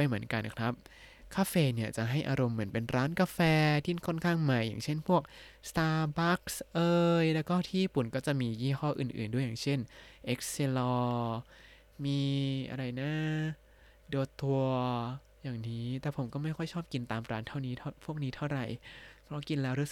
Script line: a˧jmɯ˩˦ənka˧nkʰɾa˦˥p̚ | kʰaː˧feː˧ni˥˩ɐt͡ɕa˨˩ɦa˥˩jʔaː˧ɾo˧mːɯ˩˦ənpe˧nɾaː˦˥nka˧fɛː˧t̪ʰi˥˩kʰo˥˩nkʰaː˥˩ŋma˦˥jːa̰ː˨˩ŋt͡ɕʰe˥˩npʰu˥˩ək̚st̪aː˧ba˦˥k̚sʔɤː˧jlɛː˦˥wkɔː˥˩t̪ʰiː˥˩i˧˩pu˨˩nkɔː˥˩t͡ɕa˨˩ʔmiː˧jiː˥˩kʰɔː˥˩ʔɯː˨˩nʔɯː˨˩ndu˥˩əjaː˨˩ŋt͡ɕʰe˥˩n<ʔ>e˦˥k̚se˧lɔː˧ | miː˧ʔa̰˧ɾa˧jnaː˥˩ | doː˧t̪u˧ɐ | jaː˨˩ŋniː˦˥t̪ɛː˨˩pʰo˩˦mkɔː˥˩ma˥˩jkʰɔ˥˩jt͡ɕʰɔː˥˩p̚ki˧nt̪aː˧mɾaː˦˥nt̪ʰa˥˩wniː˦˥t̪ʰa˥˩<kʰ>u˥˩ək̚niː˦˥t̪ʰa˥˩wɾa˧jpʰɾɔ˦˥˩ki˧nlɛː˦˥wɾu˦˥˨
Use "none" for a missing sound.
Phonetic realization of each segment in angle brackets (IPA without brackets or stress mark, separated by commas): ʔ, pʰ